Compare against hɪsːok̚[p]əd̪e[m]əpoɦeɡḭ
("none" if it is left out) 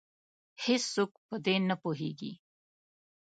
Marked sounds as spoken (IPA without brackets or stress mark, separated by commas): p, n